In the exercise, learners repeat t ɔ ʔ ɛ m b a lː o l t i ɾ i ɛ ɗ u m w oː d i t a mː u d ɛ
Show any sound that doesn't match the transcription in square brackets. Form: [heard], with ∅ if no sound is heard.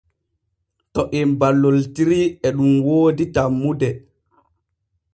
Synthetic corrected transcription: t ɔ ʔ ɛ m b a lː o l t i ɾ i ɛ ɗ u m w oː d i t a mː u d ɛ